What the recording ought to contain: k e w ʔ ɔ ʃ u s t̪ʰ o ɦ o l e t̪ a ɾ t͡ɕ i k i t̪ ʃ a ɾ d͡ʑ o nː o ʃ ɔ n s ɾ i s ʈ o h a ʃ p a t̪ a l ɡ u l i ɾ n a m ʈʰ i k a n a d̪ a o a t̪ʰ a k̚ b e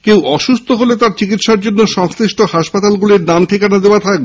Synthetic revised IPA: k e w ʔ ɔ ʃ u s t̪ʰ o ɦ o l e t̪ a ɾ t͡ɕ i k i t̪ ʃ a ɾ d͡ʑ o nː o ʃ ɔ ŋ s ɾ i ʃ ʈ o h a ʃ p a t̪ a l ɡ u l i ɾ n a m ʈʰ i k a n a d̪ e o a t̪ʰ a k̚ b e